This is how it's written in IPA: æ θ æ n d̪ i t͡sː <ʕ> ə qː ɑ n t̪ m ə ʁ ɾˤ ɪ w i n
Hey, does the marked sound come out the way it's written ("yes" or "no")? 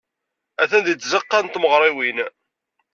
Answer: no